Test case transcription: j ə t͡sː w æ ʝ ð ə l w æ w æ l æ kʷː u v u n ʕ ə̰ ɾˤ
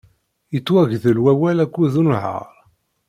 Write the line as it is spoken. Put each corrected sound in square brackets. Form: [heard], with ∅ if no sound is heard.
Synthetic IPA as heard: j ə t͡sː w æ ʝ ð ə l w æ w æ l æ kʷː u [ð] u n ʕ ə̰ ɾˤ